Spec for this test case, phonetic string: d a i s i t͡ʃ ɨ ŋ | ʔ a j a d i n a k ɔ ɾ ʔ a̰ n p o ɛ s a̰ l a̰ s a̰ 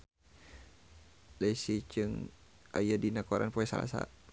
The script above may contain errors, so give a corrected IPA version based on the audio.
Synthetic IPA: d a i s i t͡ʃ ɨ ŋ | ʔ a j a d i n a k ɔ ɾ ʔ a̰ n p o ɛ s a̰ l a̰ s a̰